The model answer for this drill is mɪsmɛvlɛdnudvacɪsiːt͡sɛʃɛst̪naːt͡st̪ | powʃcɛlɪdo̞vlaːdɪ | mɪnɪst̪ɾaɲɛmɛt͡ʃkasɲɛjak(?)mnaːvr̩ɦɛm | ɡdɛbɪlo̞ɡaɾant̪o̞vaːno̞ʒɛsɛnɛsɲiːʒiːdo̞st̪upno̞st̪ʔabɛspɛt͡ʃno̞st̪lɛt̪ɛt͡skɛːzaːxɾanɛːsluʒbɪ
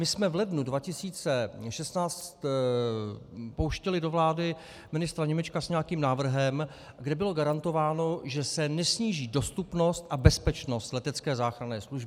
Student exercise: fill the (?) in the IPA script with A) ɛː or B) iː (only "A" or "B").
B